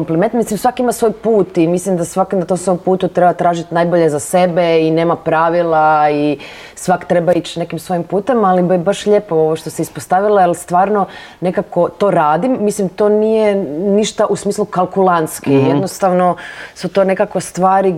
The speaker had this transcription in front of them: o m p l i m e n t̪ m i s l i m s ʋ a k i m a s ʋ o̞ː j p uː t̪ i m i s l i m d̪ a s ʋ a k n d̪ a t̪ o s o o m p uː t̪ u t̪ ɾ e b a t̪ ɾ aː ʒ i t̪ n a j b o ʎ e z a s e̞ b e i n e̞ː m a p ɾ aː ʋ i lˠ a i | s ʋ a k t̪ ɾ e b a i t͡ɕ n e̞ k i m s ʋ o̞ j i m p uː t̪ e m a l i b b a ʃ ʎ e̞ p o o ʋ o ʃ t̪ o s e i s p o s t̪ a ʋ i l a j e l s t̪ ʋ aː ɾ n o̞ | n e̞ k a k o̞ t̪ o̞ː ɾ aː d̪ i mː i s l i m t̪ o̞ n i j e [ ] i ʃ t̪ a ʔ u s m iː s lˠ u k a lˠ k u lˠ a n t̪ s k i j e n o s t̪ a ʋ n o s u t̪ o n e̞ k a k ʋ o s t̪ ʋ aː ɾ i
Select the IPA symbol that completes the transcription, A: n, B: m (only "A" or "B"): A